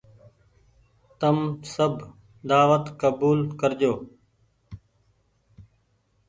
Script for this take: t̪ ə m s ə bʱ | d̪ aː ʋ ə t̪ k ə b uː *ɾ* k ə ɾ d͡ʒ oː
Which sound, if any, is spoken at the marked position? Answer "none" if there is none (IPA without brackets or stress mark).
l